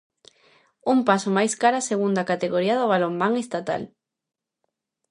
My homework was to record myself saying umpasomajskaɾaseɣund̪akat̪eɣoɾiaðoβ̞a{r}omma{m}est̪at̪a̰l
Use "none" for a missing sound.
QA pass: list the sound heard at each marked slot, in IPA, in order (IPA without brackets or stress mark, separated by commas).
l, ŋ